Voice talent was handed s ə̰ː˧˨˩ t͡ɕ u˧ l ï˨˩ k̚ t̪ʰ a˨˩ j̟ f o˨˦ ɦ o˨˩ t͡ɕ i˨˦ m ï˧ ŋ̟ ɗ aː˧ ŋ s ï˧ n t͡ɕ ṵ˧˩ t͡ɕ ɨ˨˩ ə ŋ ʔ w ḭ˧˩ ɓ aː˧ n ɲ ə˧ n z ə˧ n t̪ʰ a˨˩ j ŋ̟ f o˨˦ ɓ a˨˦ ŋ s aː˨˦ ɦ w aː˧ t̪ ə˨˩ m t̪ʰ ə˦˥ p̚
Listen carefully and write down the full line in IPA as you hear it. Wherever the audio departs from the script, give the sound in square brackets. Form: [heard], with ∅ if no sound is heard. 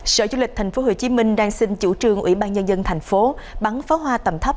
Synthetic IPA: s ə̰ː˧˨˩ t͡ɕ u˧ l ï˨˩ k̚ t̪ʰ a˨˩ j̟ f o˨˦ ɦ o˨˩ t͡ɕ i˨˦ m ï˧ ŋ̟ ɗ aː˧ ŋ s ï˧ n t͡ɕ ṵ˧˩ t͡ɕ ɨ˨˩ ə ŋ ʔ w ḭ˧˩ ɓ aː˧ n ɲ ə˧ n z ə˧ n t̪ʰ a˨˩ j ŋ̟ f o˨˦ ɓ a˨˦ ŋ [f] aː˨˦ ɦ w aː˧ t̪ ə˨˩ m t̪ʰ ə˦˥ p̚